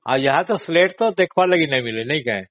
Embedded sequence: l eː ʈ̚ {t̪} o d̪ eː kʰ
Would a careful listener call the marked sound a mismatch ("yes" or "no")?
no